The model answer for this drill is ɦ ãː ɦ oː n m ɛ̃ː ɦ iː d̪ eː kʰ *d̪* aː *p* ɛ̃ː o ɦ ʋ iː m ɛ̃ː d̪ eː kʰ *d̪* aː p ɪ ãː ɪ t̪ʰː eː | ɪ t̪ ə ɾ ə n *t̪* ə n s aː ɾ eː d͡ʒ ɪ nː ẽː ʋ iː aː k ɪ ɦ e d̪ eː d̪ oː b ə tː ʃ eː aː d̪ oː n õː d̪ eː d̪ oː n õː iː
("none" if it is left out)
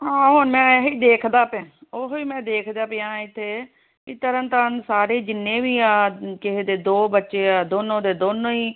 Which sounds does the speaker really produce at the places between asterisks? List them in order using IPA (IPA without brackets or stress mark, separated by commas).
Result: d̪, p, d̪, t̪